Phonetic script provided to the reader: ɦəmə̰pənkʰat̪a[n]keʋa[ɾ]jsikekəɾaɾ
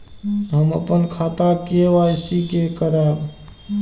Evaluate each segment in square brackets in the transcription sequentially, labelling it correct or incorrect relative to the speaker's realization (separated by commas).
incorrect, incorrect